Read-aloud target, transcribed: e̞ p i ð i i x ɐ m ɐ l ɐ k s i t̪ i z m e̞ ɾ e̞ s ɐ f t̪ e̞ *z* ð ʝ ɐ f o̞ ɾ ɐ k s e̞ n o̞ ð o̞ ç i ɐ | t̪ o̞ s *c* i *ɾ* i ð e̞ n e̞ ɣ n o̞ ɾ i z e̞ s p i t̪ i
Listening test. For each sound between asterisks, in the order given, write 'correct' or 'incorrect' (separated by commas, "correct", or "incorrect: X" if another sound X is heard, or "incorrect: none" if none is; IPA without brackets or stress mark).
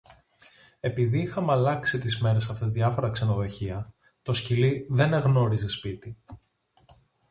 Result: correct, correct, incorrect: l